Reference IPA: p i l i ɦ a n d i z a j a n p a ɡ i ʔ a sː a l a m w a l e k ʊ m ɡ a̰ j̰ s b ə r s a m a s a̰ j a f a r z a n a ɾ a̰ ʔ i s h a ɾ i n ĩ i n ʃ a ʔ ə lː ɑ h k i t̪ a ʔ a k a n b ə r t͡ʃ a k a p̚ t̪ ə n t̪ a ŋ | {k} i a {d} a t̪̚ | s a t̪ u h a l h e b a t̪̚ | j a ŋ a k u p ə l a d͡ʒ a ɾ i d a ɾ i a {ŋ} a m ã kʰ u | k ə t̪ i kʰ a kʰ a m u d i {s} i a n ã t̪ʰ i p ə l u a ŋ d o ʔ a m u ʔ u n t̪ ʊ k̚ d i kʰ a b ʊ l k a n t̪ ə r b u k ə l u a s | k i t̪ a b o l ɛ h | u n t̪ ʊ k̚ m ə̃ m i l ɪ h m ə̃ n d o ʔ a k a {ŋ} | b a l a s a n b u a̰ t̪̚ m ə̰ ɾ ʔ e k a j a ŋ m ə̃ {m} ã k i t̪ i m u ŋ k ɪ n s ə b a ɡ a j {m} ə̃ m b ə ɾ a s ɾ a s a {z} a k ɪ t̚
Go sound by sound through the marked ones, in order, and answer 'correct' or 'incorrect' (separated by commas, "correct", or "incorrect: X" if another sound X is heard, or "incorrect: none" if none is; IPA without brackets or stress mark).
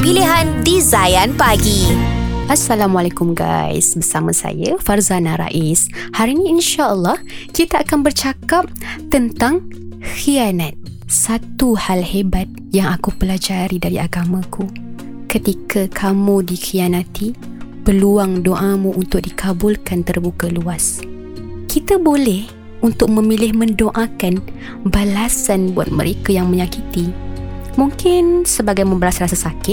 incorrect: x, incorrect: n, incorrect: ɡ, incorrect: x, incorrect: n, incorrect: ɲ, correct, incorrect: s